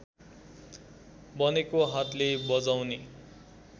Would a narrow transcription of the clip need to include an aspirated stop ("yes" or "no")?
no